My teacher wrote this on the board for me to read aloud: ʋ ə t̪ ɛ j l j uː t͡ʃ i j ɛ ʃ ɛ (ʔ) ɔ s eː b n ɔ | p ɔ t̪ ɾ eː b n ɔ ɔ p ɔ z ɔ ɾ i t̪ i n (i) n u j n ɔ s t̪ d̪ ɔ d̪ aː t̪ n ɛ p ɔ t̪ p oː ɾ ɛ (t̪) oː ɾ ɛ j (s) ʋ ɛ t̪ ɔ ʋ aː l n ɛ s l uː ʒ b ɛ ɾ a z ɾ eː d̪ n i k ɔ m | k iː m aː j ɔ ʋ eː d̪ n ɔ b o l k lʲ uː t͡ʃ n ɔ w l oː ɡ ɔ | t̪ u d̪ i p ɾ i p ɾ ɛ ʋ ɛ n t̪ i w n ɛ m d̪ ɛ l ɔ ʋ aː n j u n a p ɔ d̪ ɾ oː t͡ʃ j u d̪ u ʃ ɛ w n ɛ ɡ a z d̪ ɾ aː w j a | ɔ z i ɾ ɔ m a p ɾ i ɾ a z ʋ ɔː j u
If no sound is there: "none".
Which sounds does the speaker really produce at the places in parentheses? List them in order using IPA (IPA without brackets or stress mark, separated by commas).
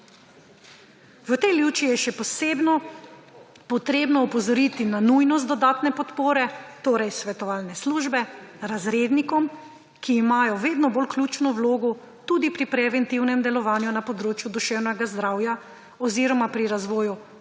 p, a, t̪, s